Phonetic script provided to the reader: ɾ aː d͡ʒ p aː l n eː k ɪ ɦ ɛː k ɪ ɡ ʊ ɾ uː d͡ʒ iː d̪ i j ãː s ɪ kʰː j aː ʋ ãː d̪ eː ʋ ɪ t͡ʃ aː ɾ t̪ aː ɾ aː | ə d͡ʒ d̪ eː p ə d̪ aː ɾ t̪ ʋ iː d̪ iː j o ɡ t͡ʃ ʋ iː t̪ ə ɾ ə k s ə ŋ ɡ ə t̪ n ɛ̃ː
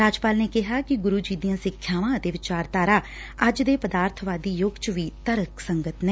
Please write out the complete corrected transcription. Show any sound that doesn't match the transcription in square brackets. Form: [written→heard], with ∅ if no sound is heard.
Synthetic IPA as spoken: ɾ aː d͡ʒ p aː l n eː k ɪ ɦ [ɛː→aː] k ɪ ɡ ʊ ɾ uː d͡ʒ iː d̪ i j ãː s ɪ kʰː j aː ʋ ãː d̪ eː ʋ ɪ t͡ʃ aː ɾ t̪ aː ɾ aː | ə d͡ʒ d̪ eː p ə d̪ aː ɾ [t̪→t̪ʰ] ʋ [iː→aː] d̪ iː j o ɡ t͡ʃ ʋ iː t̪ ə ɾ ə k s ə ŋ ɡ ə t̪ n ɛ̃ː